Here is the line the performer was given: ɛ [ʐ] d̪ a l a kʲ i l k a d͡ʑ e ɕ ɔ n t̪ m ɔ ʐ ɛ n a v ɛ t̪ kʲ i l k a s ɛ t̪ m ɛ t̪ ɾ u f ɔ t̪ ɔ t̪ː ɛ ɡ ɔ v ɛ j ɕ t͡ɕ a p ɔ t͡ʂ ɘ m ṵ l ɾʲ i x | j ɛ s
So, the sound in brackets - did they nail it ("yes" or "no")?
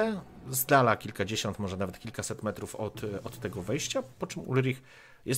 no